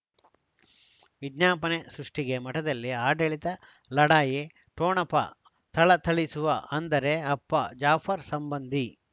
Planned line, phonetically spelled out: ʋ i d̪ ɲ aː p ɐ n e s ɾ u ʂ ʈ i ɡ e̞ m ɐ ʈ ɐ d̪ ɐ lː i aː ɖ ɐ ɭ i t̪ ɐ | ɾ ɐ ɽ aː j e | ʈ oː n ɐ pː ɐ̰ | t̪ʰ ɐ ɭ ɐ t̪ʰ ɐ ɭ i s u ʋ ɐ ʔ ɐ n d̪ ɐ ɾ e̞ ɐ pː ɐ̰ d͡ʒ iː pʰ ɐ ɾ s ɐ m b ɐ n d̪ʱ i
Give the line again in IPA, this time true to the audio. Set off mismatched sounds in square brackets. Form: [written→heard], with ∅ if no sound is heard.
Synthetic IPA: ʋ i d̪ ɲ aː p ɐ n e s ɾ u ʂ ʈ i ɡ e̞ m ɐ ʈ ɐ d̪ ɐ lː i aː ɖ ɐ ɭ i t̪ ɐ | [ɾ→l] ɐ ɽ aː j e | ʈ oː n ɐ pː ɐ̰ | t̪ʰ ɐ ɭ ɐ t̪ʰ ɐ ɭ i s u ʋ ɐ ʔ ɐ n d̪ ɐ ɾ e̞ ɐ pː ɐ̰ d͡ʒ [iː→aː] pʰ ɐ ɾ s ɐ m b ɐ n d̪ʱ i